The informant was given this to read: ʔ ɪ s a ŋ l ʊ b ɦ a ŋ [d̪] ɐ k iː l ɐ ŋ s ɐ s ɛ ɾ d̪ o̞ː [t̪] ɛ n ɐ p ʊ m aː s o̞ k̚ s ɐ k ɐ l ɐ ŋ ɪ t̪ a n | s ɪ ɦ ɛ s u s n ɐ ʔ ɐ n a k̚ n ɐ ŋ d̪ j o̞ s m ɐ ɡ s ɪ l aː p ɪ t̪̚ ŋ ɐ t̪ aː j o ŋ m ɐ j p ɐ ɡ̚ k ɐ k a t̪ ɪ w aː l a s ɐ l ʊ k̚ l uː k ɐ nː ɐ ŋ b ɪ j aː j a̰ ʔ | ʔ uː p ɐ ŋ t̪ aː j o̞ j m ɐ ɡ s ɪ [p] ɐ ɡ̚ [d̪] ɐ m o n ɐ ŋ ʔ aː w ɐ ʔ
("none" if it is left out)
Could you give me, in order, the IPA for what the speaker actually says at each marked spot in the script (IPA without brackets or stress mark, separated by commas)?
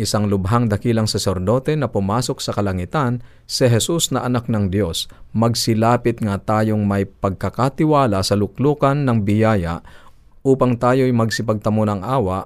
d̪, t̪, p, t̪